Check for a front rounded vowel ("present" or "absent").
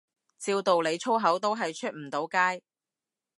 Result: absent